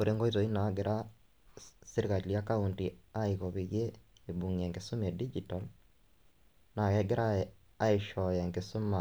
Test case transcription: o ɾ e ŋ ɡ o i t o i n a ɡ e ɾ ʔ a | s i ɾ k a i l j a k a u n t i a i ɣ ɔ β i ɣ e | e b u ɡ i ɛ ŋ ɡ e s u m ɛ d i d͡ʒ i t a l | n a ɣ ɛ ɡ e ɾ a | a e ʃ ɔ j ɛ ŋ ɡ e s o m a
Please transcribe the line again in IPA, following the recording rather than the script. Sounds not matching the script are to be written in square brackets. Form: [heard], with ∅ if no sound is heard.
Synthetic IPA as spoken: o ɾ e ŋ ɡ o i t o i n a ɡ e ɾ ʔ a | s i ɾ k a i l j a k a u n t i a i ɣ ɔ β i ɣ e | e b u [ŋ] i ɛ ŋ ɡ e s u m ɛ d i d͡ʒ i t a l | n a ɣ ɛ ɡ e ɾ a | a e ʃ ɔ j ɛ ŋ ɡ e s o m a